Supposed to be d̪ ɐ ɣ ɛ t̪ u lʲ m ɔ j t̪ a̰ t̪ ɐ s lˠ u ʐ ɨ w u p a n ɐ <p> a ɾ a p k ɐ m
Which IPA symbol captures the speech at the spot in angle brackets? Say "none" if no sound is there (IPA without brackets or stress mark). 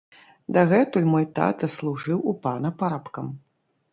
p